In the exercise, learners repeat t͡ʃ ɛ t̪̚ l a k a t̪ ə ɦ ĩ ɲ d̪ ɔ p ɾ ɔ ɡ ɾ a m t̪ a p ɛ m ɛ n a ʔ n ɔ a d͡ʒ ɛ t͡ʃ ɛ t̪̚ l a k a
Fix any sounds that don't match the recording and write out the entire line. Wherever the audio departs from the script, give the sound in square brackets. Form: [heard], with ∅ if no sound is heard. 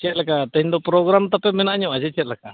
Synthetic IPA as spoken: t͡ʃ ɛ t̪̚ l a k a t̪ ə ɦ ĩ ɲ d̪ ɔ p ɾ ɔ ɡ ɾ a m t̪ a p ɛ m ɛ n a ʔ [ɲ] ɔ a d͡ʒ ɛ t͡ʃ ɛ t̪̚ l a k a